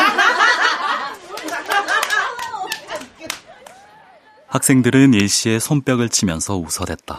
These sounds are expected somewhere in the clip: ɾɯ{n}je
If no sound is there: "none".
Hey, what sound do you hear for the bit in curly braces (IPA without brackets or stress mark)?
n